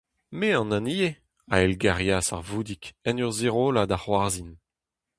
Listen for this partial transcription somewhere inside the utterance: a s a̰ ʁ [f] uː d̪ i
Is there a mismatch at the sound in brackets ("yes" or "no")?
yes